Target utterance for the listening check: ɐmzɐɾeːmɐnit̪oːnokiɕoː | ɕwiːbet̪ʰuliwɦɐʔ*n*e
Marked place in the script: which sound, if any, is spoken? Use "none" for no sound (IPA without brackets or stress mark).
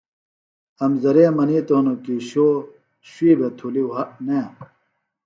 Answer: n